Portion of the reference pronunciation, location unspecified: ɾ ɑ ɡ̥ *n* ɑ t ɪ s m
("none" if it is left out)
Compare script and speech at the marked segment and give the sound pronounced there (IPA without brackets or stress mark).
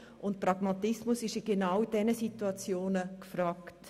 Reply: m